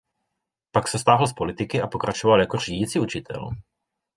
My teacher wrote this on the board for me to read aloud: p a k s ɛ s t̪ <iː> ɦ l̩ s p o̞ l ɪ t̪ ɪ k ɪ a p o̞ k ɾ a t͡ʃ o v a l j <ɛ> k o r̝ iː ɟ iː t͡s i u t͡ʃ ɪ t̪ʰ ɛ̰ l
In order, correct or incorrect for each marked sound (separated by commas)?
incorrect, incorrect